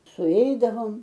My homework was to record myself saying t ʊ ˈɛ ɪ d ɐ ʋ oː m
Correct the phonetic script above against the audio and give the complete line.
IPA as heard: s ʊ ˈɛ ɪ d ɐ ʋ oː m